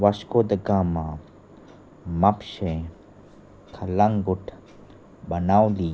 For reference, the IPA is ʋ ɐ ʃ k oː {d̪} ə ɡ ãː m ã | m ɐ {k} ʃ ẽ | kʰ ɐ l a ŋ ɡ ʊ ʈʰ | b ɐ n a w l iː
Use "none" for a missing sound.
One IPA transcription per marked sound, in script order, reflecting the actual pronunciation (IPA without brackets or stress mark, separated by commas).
d̪, p